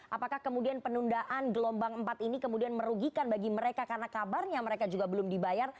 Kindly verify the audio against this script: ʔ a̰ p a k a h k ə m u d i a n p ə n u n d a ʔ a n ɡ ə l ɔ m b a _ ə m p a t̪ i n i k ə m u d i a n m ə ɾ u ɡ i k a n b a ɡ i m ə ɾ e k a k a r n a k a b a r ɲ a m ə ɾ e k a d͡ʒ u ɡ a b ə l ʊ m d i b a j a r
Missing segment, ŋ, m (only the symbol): ŋ